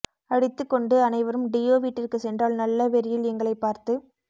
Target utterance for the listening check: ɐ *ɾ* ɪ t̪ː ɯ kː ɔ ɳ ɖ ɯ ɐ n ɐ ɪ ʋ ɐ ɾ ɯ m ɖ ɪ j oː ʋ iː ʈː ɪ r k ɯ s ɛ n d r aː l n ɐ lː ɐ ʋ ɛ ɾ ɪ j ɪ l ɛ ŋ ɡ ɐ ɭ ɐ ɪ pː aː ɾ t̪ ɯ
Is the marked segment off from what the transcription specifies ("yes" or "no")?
yes